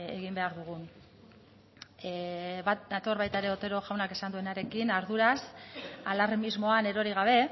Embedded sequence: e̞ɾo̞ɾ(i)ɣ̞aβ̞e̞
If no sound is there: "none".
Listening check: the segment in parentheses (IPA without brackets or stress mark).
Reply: i